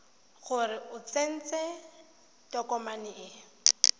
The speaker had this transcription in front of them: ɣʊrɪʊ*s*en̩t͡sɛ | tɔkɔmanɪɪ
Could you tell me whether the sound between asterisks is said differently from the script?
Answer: yes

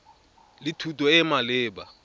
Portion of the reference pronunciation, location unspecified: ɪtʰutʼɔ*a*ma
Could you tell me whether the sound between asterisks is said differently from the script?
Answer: yes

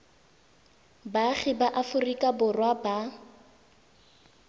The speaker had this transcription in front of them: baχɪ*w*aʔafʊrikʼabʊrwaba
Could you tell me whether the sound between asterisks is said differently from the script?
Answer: yes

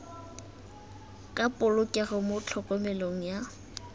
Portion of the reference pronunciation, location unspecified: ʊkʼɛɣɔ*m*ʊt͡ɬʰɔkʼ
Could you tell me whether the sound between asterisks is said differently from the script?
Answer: no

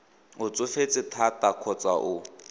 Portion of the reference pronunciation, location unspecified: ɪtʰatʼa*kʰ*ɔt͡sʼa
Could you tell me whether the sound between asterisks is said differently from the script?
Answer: no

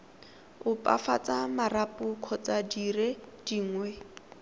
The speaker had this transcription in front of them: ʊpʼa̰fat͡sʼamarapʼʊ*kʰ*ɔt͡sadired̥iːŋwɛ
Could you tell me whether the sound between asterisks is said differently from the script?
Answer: no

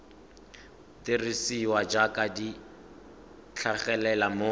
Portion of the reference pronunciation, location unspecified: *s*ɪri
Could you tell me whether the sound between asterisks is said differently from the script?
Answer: yes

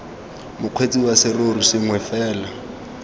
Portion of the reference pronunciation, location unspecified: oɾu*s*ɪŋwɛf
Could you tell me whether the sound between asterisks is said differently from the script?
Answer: no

